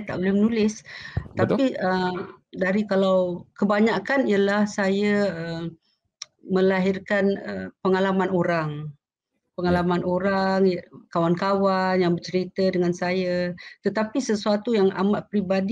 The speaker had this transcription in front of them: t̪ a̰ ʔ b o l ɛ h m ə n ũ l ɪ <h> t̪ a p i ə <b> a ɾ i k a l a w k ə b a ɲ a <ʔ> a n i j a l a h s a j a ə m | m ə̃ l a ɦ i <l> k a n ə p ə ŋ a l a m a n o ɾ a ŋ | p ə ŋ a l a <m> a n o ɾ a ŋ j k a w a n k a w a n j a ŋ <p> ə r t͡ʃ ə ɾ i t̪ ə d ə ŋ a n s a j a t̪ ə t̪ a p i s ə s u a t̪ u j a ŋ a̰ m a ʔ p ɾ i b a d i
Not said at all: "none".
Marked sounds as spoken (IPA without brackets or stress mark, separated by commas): s, d, k, r, m, b